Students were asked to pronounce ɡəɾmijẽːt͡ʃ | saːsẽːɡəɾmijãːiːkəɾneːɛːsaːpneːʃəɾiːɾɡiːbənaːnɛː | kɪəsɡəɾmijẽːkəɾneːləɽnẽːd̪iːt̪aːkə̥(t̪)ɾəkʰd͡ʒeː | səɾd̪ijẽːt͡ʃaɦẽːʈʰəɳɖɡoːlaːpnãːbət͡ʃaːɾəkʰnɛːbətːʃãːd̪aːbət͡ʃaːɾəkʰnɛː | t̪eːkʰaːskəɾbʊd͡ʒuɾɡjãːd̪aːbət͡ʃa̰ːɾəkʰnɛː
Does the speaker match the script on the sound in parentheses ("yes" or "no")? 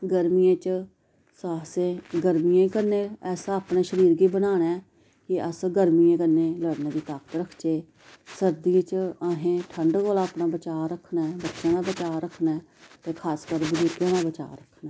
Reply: yes